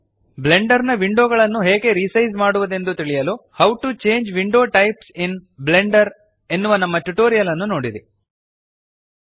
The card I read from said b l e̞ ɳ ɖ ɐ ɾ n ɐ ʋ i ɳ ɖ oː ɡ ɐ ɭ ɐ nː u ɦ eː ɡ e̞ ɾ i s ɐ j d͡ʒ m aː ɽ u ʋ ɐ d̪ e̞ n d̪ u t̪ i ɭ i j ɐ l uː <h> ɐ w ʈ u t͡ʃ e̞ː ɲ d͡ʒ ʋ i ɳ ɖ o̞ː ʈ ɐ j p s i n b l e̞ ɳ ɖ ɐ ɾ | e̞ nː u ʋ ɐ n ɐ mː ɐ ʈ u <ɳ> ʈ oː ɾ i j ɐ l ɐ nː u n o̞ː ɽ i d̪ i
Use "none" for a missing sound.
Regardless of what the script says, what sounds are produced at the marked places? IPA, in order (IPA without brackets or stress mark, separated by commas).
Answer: h, none